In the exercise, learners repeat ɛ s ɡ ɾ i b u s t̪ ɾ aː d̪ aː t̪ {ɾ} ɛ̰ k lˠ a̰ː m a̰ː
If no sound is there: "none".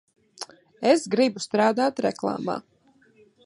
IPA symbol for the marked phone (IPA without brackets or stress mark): ɾ